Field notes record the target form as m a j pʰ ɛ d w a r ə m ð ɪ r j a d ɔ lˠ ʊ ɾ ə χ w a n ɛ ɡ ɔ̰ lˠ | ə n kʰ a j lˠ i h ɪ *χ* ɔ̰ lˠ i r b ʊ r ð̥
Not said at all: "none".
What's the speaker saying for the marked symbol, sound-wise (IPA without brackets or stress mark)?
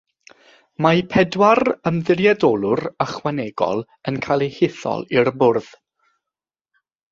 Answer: θ